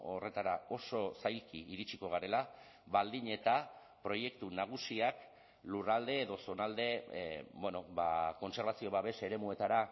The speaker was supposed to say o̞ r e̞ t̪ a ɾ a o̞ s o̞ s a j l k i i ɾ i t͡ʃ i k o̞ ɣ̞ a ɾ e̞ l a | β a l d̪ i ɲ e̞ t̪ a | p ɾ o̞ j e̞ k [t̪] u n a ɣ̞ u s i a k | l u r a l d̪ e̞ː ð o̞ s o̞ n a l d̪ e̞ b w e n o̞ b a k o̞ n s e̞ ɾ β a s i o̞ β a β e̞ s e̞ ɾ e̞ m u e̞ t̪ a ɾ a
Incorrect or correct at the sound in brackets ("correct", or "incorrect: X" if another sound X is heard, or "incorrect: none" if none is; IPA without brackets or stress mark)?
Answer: correct